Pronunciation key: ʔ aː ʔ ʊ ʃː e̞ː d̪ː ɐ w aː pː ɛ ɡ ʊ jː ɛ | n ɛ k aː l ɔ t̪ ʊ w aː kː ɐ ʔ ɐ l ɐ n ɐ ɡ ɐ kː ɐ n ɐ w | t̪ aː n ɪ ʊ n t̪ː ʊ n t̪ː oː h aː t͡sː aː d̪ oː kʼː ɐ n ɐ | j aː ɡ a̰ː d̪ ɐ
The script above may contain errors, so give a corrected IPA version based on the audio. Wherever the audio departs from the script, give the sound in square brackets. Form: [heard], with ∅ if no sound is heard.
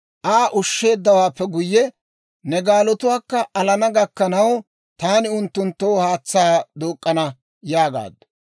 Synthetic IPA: ʔ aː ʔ ʊ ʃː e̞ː d̪ː ɐ w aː pː ɛ ɡ ʊ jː ɛ | n ɛ [ɡ] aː l ɔ t̪ ʊ w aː kː ɐ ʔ ɐ l ɐ n ɐ ɡ ɐ kː ɐ n ɐ w | t̪ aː n ɪ ʊ n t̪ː ʊ n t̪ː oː h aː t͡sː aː d̪ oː kʼː ɐ n ɐ | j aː ɡ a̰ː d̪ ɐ